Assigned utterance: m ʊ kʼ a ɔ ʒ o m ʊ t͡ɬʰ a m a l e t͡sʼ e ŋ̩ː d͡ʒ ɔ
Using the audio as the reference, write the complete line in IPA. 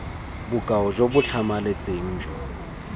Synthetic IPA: b ʊ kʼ a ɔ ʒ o b ʊ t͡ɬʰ a m a l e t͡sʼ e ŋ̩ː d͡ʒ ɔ